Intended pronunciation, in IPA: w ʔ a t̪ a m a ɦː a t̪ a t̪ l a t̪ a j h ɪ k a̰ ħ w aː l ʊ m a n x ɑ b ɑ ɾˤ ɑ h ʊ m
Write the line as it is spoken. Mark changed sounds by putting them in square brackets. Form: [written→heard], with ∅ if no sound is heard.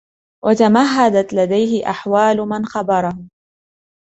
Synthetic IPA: w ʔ a t̪ a m a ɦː a [t̪→d̪] a t̪ l a [t̪→d̪] a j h ɪ [k→ʔ] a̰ ħ w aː l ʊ m a n x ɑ b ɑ ɾˤ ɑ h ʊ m

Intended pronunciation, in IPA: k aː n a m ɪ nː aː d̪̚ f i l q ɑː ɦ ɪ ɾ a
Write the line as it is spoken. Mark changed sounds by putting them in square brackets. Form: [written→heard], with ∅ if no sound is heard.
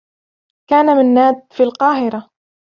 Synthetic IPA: k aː n a m ɪ nː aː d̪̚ f i l q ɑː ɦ ɪ ɾ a

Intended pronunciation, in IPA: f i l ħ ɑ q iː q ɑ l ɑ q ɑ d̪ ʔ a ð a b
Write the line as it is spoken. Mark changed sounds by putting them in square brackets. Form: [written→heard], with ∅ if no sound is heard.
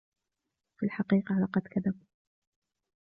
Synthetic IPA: f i l ħ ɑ q iː q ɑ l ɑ q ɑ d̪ [ʔ→k] a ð a b

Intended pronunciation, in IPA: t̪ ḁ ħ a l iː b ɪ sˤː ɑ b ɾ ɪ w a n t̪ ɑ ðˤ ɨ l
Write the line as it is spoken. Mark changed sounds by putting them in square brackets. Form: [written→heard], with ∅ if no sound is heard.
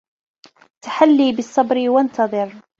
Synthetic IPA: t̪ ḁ ħ a [l→lː] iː b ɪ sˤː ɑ b ɾ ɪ w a n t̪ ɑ ðˤ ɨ [l→ɾ]

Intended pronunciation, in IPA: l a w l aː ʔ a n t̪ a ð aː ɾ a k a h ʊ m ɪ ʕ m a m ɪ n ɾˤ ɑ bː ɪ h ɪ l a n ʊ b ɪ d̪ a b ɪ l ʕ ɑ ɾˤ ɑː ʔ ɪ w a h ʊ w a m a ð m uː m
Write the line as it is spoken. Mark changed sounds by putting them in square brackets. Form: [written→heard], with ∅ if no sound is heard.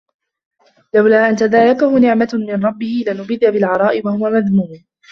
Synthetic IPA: l a w l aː ʔ a n t̪ a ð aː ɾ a k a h ʊ [m→n] ɪ ʕ m a m ɪ n ɾˤ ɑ bː ɪ h ɪ l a n ʊ b ɪ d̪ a b ɪ l ʕ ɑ ɾˤ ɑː ʔ ɪ w a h ʊ w a m a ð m uː m

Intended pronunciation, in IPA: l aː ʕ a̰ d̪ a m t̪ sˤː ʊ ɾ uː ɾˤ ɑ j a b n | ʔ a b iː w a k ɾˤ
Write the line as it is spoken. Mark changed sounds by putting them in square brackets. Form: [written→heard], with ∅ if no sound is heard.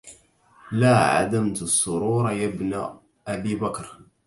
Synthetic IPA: l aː ʕ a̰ d̪ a m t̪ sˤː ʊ ɾ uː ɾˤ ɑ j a b n | ʔ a b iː [w→b] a k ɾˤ

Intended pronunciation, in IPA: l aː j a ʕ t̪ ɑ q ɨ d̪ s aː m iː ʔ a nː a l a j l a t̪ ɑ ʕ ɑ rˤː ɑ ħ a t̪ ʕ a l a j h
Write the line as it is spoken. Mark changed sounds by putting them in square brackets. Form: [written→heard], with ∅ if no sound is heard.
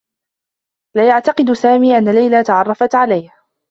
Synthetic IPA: l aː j a ʕ t̪ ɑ q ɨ d̪ s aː m iː ʔ a nː a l a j l a t̪ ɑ ʕ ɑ rˤː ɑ [ħ→f] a t̪ ʕ a l a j h

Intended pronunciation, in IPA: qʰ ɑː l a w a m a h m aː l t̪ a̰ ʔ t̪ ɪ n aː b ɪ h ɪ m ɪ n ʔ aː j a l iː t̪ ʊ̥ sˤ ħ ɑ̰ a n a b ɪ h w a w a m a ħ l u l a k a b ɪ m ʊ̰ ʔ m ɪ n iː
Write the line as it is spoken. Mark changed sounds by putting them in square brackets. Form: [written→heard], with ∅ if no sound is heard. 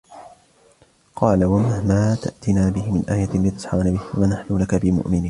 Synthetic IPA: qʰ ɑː l a w a m a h m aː [l→∅] t̪ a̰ ʔ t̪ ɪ n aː b ɪ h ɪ m ɪ n ʔ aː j a l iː t̪ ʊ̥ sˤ ħ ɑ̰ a n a b ɪ h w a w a [m→n] a ħ l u l a k a b ɪ m ʊ̰ ʔ m ɪ n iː

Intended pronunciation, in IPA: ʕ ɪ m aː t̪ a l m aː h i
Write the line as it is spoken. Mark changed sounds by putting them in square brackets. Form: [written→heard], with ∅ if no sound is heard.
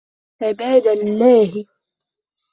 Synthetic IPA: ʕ ɪ [m→b] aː [t̪→d̪] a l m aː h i

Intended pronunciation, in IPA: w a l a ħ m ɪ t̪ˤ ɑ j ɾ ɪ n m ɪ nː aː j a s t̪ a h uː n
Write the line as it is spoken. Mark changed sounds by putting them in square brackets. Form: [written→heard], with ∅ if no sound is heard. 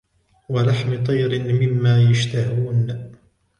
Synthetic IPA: w a l a ħ m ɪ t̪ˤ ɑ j ɾ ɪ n m ɪ [nː→mː] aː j a [s→ʃ] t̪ a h uː n

